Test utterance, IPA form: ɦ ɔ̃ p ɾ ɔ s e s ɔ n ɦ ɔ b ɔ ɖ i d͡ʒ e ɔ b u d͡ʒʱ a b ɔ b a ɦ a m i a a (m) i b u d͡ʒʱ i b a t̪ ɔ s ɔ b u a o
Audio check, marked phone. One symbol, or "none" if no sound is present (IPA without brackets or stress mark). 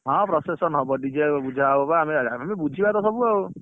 m